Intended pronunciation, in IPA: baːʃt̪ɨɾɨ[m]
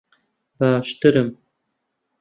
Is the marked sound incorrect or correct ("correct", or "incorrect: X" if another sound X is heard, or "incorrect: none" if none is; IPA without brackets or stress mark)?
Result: correct